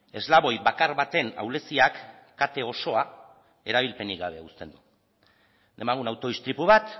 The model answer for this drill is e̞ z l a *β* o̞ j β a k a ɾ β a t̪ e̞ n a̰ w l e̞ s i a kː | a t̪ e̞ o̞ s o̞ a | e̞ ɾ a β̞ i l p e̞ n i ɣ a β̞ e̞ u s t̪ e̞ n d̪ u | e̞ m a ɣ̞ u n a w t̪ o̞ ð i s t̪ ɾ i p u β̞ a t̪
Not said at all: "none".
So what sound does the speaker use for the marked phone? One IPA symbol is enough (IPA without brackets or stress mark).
β